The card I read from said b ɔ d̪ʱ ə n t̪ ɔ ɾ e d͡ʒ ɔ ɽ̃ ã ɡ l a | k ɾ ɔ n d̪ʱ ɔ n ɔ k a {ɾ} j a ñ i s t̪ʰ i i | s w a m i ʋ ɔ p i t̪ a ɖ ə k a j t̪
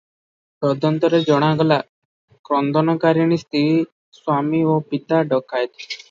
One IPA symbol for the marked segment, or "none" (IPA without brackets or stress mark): ɾ